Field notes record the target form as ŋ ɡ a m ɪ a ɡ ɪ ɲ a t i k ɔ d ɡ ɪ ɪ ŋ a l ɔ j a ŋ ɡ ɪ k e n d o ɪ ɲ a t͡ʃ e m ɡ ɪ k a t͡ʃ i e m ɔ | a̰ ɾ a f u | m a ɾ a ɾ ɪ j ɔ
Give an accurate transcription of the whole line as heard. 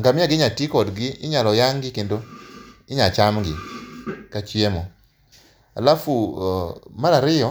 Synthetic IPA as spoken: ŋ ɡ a m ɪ a ɡ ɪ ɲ a t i k ɔ d ɡ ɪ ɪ ɲ a l ɔ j a ŋ ɡ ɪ k e n d o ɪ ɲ a t͡ʃ a m ɡ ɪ k a t͡ʃ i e m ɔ | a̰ l a f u | m a ɾ a ɾ ɪ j ɔ

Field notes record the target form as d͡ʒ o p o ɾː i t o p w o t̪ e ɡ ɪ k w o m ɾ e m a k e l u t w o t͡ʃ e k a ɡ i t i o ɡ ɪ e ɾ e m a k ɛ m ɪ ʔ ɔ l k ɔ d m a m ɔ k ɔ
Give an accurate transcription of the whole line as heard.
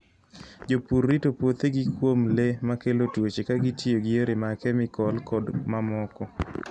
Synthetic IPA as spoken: d͡ʒ o p u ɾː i t o p w o t̪ e ɡ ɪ k w o m l e m a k e l o t w o t͡ʃ e k a ɡ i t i o ɡ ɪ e ɾ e m a k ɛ m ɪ k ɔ l k ɔ d m a m ɔ k ɔ

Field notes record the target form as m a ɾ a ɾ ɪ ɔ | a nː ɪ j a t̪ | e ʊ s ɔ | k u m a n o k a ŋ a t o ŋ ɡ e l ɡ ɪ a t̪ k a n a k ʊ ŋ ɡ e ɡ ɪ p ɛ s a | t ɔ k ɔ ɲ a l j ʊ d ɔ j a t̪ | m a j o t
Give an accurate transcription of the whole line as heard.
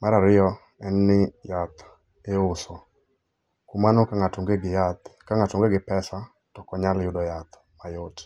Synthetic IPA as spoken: m a ɾ a ɾ ɪ ɔ | ɛ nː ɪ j a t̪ | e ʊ s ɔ | k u m a n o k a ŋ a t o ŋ ɡ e ɡ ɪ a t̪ k a ŋ a t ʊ ŋ ɡ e ɡ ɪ p ɛ s a | t ɔ k ɔ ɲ a l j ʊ d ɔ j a t̪ | m a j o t

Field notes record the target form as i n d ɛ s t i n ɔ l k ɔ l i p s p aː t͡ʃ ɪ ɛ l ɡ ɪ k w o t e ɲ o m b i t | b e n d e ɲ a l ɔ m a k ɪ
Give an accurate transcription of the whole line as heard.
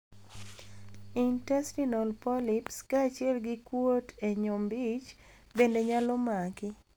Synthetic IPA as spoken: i n t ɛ s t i n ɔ l p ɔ l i p s k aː t͡ʃ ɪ ɛ l ɡ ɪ k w o t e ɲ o m b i t͡ʃ | b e n d e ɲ a l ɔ m a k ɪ

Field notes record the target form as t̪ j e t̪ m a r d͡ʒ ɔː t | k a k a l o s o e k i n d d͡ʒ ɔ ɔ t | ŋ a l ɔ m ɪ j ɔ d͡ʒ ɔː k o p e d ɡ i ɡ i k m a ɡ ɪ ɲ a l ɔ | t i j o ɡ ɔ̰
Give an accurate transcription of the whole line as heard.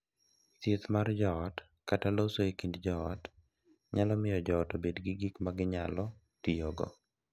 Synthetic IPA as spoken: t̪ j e t̪ m a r d͡ʒ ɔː t | k a t a l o s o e k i n d d͡ʒ ɔ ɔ t | ɲ a l ɔ m ɪ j ɔ d͡ʒ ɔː t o b e d ɡ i ɡ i k m a ɡ ɪ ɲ a l ɔ | t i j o ɡ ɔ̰

